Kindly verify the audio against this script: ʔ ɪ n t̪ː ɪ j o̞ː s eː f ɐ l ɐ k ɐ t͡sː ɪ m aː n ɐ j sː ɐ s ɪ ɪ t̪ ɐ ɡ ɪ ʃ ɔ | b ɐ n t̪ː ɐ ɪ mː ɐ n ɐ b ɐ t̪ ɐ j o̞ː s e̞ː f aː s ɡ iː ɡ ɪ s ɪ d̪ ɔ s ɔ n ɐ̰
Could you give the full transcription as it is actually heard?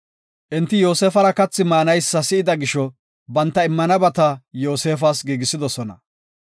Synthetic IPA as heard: ʔ ɪ n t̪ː ɪ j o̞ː s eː f ɐ ɾ ɐ k ɐ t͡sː ɪ m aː n ɐ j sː ɐ s ɪ ɪ d̪ ɐ ɡ ɪ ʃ ɔ | b ɐ n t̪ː ɐ ɪ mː ɐ n ɐ b ɐ t̪ ɐ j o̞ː s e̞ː f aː s ɡ iː ɡ ɪ s ɪ d̪ ɔ s ɔ n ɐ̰